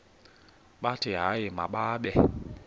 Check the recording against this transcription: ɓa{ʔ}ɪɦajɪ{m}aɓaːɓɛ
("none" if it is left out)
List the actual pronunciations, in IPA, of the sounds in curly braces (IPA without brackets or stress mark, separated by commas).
t, m